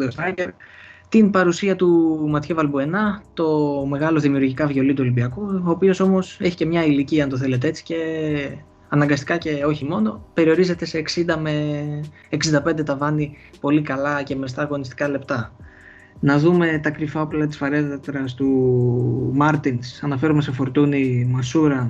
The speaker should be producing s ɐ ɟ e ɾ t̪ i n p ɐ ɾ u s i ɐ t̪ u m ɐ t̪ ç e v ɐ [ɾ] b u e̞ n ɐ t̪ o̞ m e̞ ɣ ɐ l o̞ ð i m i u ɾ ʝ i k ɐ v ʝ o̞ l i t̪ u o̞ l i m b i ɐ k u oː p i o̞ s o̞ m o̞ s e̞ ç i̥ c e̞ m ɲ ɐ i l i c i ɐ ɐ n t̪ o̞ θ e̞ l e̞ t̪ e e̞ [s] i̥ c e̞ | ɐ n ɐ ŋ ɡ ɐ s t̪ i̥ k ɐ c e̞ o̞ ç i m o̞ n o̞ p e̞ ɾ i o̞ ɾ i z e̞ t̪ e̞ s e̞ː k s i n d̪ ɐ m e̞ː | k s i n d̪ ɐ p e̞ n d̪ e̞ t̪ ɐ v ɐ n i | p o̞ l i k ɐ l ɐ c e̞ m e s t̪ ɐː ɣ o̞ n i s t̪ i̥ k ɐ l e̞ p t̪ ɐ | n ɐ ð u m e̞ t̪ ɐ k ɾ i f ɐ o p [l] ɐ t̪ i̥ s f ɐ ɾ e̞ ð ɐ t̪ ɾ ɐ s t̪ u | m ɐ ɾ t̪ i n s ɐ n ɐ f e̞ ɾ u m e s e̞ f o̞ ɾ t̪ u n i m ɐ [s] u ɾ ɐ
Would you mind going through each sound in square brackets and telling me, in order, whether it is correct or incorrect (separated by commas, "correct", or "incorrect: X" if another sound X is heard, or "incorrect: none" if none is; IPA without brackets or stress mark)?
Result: incorrect: l, incorrect: t͡s, correct, correct